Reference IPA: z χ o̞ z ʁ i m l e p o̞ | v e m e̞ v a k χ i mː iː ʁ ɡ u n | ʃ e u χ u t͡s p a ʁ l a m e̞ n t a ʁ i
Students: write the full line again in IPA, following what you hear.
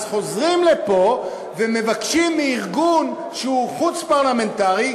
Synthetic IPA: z χ o̞ z ʁ i m l e p o̞ | v e m e̞ v a k ʃ i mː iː ʁ ɡ u n | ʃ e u χ u t͡s p a ʁ l a m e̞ n t a ʁ i